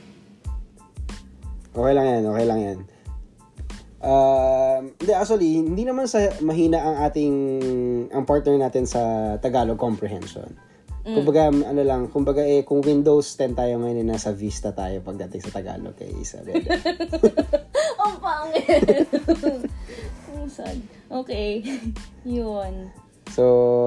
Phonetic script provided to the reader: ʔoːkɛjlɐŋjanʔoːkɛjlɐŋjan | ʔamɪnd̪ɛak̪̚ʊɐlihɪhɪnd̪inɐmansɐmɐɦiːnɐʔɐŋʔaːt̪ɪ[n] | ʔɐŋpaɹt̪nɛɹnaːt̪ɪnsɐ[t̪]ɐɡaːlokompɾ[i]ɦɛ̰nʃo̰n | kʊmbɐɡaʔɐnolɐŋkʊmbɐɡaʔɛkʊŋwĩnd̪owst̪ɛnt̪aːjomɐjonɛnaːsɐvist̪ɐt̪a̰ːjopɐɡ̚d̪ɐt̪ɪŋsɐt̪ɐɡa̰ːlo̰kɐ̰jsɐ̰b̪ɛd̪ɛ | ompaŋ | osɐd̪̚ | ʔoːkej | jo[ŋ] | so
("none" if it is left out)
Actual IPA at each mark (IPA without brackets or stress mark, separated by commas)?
ŋ, t̪, ɛ, n